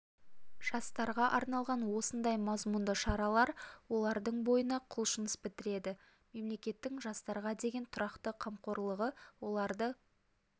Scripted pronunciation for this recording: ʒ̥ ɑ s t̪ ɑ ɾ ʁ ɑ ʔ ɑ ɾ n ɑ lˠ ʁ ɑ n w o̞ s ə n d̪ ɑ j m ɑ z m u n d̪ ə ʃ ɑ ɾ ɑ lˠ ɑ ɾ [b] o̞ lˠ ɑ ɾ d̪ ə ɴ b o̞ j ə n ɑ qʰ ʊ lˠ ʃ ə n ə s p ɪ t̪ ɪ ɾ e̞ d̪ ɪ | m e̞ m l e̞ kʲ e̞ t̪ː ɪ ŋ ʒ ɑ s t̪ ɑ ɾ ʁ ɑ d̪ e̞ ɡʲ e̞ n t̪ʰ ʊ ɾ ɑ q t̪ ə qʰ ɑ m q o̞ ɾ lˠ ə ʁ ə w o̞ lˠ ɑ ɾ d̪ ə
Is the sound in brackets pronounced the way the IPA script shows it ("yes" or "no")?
no